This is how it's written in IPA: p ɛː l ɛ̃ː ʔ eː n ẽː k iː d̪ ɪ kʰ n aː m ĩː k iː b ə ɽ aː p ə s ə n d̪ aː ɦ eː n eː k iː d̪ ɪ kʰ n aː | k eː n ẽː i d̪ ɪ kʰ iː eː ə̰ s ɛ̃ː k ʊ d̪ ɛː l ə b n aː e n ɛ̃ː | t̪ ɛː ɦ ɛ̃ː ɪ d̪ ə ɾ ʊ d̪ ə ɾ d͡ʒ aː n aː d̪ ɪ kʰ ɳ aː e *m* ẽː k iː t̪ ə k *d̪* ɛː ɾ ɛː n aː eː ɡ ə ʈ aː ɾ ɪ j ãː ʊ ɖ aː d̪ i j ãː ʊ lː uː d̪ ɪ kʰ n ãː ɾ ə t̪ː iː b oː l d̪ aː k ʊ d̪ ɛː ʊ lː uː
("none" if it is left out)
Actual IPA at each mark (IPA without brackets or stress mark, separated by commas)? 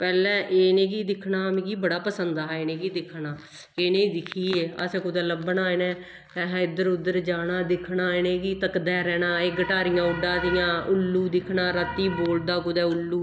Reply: n, d̪